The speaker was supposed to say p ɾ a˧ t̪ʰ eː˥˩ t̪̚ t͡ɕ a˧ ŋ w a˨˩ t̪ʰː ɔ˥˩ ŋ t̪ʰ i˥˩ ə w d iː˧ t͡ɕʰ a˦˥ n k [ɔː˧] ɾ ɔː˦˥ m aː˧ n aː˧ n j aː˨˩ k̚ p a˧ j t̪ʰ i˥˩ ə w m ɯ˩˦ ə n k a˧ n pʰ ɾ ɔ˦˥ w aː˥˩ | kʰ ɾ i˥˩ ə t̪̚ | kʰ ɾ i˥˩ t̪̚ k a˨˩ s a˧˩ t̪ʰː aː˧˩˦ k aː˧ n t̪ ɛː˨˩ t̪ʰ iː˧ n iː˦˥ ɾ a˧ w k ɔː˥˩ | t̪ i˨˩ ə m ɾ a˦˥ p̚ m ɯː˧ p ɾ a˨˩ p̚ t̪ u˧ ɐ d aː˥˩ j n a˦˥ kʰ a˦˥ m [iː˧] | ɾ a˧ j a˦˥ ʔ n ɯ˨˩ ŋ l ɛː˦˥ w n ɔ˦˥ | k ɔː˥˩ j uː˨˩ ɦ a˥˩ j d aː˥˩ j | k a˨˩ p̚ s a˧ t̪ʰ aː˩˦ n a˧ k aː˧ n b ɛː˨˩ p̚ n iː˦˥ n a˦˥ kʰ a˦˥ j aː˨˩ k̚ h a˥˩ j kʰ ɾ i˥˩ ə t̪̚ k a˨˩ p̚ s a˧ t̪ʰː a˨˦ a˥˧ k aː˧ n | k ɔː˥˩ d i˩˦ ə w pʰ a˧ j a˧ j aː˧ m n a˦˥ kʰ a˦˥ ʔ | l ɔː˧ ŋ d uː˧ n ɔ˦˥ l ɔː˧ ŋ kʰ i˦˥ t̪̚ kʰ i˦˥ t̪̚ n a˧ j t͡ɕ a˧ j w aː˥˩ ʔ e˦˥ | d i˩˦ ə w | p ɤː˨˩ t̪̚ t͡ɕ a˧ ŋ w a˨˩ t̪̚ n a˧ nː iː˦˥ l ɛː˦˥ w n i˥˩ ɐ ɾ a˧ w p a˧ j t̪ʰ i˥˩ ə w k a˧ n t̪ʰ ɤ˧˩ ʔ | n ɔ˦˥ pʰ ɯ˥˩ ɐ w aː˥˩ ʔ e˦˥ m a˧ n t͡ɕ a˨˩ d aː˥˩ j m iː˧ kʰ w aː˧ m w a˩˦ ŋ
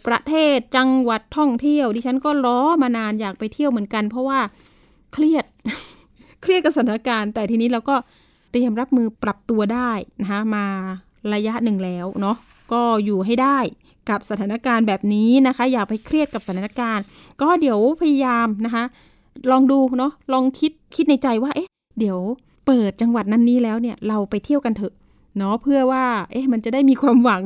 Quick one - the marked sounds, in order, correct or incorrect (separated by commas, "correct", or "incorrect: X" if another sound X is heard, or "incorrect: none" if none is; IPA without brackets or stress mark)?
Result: incorrect: ɔː˥˩, incorrect: aː˧